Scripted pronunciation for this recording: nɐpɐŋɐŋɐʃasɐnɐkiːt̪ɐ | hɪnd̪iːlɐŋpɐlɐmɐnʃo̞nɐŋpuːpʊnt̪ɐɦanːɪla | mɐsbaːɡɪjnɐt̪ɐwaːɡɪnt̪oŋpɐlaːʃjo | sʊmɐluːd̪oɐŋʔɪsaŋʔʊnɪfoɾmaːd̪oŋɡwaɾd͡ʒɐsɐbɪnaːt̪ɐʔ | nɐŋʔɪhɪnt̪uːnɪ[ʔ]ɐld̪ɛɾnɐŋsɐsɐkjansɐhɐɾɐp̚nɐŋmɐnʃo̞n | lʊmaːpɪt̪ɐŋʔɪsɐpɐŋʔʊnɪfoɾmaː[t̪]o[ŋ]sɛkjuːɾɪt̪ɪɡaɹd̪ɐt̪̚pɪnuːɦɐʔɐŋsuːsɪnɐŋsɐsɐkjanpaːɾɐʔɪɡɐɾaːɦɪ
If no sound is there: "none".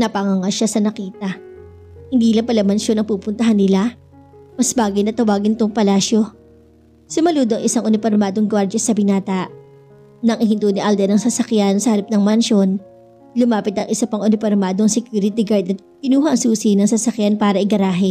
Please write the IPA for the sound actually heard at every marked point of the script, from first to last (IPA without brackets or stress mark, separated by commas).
ʔ, d̪, ŋ